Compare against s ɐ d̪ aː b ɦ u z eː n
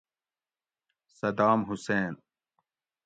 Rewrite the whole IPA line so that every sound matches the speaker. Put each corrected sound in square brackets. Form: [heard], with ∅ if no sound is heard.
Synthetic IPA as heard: s ɐ d̪ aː [m] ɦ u [s] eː n